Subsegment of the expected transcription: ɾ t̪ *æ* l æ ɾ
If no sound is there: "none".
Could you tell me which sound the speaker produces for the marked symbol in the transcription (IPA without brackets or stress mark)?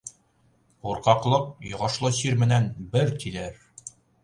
i